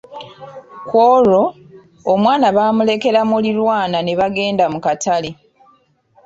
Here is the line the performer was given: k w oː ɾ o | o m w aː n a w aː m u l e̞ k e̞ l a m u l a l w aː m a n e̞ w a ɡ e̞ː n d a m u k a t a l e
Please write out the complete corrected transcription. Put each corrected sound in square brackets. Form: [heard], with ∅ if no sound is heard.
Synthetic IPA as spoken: k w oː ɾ o | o m w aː n a [β] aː m u l e̞ k e̞ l a m u l [i] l w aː [n] a n e̞ [β] a ɡ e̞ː n d a m u k a t a l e

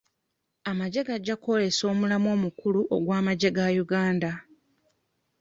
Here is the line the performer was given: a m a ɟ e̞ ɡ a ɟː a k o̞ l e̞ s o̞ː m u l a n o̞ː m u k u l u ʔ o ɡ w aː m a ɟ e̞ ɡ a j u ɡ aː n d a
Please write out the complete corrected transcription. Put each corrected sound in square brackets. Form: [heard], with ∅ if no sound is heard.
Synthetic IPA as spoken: a m a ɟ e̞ ɡ a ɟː a k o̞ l e̞ s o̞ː m u l a [m] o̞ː m u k u l u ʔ o ɡ w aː m a ɟ e̞ ɡ a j u ɡ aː n d a

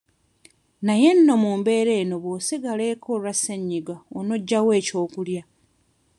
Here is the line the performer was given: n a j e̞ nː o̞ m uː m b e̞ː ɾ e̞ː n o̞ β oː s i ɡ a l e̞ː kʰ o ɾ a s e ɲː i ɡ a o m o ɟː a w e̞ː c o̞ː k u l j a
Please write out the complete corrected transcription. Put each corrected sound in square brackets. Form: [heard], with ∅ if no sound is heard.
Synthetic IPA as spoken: n a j e̞ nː o̞ m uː m b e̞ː ɾ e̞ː n o̞ β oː s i ɡ a l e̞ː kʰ o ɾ a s e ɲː i ɡ a o [n] o ɟː a w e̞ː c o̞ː k u l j a

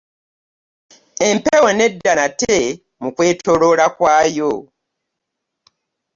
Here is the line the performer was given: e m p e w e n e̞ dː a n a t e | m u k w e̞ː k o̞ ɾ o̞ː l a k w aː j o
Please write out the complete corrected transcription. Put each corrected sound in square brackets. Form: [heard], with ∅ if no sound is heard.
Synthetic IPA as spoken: e m p e w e n e̞ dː a n a t e | m u k w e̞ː [t] o̞ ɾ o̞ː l a k w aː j o

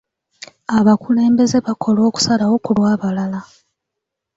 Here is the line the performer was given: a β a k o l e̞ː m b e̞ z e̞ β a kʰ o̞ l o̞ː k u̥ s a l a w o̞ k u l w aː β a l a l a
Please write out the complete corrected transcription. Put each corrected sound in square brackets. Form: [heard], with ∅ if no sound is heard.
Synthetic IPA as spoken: a β a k [u] l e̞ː m b e̞ z e̞ β a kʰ o̞ l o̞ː k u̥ s a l a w o̞ k u l w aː β a l a l a

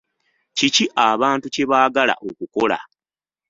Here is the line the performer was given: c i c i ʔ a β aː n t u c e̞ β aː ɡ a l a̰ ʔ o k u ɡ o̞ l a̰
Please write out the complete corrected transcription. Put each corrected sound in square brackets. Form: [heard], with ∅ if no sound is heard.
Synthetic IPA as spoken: c i c i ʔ a β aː n t u c e̞ β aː ɡ a l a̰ ʔ o k u [k] o̞ l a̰

